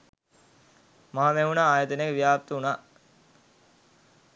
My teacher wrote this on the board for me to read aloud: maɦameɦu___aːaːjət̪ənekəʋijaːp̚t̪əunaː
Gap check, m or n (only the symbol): n